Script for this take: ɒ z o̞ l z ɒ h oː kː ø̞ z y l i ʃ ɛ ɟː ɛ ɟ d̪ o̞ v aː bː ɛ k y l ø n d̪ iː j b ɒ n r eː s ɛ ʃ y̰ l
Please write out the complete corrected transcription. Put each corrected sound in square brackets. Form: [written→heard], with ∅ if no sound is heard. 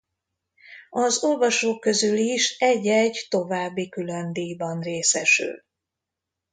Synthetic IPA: ɒ z o̞ l [z→v] ɒ [h→ʃ] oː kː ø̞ z y l i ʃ ɛ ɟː ɛ ɟ [d̪→t̪] o̞ v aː bː [ɛ→i] k y l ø n d̪ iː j b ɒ n r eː s ɛ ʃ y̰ l